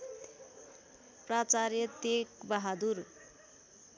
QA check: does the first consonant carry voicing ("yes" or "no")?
no